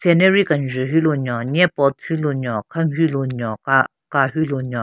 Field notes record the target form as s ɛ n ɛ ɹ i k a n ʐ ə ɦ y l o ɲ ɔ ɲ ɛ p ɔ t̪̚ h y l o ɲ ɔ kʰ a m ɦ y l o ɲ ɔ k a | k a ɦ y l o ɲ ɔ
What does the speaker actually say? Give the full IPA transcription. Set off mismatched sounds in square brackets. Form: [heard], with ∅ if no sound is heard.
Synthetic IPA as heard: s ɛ n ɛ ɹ i k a n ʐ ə ɦ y l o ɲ ɔ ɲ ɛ p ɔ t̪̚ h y l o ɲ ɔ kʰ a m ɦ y l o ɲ ɔ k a | k a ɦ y l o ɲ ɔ